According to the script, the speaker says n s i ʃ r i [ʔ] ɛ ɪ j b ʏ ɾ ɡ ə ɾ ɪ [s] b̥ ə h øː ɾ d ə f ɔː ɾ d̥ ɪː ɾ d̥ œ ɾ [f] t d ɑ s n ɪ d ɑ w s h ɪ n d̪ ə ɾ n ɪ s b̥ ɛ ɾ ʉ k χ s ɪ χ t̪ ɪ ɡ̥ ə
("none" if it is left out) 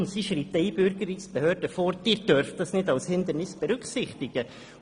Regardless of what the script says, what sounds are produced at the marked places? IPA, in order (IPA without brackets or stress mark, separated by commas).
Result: t, s, f